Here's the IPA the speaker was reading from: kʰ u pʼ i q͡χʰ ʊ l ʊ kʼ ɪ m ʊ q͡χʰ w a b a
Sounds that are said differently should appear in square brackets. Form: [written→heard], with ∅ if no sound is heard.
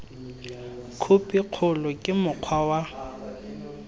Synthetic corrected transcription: kʰ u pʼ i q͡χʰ ʊ l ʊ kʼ ɪ m ʊ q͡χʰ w a [b→w] a